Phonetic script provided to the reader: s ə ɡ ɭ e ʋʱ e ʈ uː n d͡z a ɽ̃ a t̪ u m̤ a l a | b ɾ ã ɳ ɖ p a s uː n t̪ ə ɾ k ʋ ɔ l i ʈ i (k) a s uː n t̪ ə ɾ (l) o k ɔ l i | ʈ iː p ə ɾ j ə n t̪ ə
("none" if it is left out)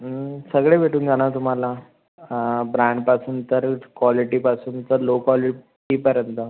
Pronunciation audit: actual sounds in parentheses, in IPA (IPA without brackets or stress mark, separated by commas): p, l